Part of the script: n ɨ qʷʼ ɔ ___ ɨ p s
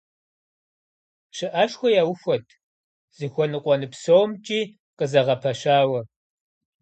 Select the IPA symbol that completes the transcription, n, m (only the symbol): n